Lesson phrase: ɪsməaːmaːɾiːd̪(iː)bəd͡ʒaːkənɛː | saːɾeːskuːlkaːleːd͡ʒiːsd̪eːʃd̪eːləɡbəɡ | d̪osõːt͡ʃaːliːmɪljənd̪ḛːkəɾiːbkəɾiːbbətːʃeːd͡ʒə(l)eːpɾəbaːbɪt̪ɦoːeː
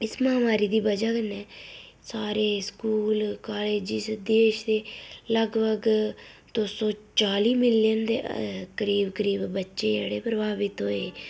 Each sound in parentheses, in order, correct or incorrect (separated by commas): correct, incorrect